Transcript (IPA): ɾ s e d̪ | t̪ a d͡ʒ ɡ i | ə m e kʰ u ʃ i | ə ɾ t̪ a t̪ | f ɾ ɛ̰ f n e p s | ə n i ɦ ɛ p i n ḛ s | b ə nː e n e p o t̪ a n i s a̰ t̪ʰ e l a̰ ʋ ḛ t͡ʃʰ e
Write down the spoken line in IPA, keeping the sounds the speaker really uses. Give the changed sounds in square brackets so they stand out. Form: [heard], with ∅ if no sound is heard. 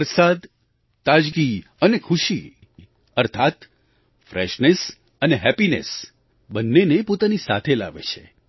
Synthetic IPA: ɾ s [a] d̪ | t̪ a d͡ʒ ɡ i | ə [n] e kʰ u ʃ i | ə ɾ [t̪ʰ] a t̪ | f ɾ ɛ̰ [ʃ] n e [∅] s | ə n [e] ɦ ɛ p i n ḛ s | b ə nː e n e p o t̪ a n i s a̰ t̪ʰ e l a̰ ʋ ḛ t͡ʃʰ e

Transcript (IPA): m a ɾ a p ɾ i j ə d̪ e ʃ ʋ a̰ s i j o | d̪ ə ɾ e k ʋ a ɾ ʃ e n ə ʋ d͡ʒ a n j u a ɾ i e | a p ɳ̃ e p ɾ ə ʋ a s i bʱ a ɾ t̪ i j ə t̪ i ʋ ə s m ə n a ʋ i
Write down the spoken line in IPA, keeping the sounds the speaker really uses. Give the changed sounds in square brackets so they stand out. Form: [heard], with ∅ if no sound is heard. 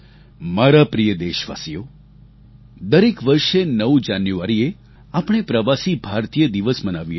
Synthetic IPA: m a ɾ a p ɾ i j ə d̪ e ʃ ʋ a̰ s i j o | d̪ ə ɾ e k ʋ [ə] ɾ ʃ e n ə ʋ d͡ʒ a n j u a ɾ i e | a p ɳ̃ e p ɾ ə ʋ a s i bʱ a ɾ t̪ i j ə [d̪] i ʋ ə s m ə n a ʋ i

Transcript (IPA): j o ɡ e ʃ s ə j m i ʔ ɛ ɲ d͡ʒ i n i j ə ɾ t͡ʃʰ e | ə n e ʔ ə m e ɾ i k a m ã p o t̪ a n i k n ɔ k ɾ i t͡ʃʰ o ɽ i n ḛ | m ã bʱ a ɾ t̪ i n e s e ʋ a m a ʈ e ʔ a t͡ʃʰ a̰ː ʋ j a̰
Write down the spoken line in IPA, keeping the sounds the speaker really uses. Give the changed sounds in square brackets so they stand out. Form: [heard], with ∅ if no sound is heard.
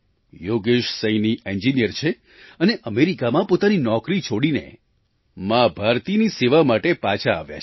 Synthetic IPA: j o ɡ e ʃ s ə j [n] i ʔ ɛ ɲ d͡ʒ i n i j ə ɾ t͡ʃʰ e | ə n e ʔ ə m e ɾ i k a m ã p o t̪ a n i [∅] n ɔ k ɾ i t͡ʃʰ o ɽ i n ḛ | m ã bʱ a ɾ t̪ i n [i] s e ʋ a m a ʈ e [p] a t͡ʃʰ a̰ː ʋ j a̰

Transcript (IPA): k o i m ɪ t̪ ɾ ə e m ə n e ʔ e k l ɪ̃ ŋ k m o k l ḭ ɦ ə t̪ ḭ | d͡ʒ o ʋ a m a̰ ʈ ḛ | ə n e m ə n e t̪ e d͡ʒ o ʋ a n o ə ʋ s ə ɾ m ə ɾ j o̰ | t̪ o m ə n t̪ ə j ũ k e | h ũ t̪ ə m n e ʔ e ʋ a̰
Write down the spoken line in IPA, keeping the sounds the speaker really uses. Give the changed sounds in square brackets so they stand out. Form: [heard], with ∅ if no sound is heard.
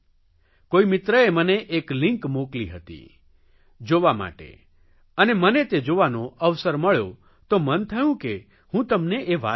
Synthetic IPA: k o i m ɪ t̪ ɾ ə e m ə n e ʔ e k l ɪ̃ ŋ k m o k l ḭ ɦ ə t̪ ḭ | d͡ʒ o ʋ a m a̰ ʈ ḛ | ə n e m ə n e t̪ e d͡ʒ o ʋ a n o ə ʋ s ə ɾ m ə [ɭ] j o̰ | t̪ o m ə n [t̪ʰ] ə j ũ k e | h ũ t̪ ə m n e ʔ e ʋ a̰

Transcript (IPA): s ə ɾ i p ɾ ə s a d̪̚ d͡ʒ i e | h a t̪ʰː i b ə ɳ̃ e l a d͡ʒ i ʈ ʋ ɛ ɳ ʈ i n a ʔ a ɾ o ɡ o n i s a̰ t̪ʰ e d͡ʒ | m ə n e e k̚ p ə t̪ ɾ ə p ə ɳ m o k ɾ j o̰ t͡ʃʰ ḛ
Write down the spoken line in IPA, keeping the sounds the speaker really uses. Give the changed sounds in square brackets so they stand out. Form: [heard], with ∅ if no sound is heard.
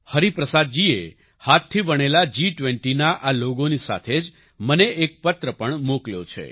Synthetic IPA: [h] ə ɾ i p ɾ ə s a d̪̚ d͡ʒ i e | h a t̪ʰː i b ə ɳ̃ e l a d͡ʒ i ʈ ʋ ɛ ɳ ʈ i n a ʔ a [l] o ɡ o n i s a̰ t̪ʰ e d͡ʒ | m ə n e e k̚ p ə t̪ ɾ ə p ə ɳ m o k [l] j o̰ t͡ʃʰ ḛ

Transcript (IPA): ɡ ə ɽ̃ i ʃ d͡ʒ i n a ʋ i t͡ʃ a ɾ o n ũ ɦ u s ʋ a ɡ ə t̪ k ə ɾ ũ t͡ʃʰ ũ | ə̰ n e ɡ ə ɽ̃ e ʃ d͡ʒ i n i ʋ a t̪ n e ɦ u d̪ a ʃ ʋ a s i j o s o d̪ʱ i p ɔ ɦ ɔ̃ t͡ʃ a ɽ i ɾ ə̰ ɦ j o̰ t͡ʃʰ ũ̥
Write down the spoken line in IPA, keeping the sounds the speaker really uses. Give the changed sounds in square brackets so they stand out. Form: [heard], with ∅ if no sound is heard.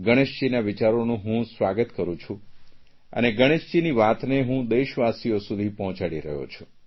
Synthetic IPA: ɡ ə ɽ̃ [e] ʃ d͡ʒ i n a ʋ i t͡ʃ a ɾ o n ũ ɦ [ũ] s ʋ a ɡ ə t̪ k ə ɾ ũ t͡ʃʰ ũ | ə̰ n e ɡ ə ɽ̃ e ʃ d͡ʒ i n i ʋ a t̪ n e ɦ [ũ] d̪ [e] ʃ ʋ a s i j o s [u] d̪ʱ i p ɔ ɦ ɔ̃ t͡ʃ a ɽ i ɾ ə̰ ɦ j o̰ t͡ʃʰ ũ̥

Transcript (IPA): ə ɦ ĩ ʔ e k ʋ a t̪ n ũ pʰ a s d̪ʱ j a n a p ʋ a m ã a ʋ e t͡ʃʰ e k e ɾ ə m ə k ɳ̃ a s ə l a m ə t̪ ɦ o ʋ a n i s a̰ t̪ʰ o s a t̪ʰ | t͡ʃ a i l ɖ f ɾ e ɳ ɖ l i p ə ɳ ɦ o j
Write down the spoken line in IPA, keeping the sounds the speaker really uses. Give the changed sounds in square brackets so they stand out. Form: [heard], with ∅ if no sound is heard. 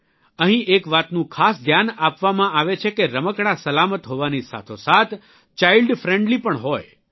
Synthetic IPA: ə ɦ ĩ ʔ e k ʋ a t̪ n ũ [kʰ] a s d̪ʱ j a n a p ʋ a m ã a ʋ e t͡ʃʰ e k e ɾ ə m ə k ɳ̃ a s ə l a m ə t̪ ɦ o ʋ a n i s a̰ t̪ʰ o s a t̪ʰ | t͡ʃ a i l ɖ f ɾ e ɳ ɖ l i p ə ɳ ɦ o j

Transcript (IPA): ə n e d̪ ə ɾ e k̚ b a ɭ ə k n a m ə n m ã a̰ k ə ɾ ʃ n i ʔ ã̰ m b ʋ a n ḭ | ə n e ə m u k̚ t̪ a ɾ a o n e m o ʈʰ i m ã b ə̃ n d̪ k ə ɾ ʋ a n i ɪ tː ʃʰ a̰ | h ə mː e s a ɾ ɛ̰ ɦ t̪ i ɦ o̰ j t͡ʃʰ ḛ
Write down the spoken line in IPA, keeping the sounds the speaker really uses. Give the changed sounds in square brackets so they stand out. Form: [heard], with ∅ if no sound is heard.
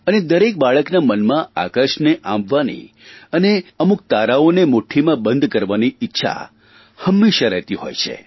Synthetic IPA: ə n e d̪ ə ɾ e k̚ b a ɭ ə k n a m ə n m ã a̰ k ə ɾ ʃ n [e] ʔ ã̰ m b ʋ a n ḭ | ə n e ə m u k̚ t̪ a ɾ a o n e m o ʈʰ i m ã b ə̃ n d̪ k ə ɾ ʋ a n i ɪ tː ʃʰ a̰ | h ə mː e [ʃ] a ɾ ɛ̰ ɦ t̪ i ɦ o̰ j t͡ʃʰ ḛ

